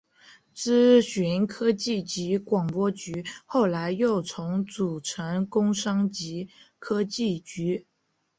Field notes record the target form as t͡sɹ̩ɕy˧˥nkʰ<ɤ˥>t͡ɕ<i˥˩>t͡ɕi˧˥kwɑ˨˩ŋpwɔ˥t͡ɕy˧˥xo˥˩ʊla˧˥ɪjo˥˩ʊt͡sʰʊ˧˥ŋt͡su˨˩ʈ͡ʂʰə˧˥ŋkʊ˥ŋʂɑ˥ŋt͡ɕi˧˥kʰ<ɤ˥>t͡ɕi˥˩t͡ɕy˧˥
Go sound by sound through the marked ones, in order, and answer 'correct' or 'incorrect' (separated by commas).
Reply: correct, correct, correct